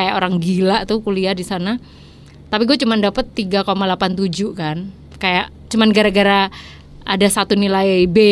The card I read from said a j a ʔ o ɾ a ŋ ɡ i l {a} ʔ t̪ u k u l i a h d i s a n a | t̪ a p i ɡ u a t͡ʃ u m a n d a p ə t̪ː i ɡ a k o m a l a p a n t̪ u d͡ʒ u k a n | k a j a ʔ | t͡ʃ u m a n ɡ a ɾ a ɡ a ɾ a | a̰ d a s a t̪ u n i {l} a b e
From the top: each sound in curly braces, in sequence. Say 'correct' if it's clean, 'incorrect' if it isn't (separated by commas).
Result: correct, correct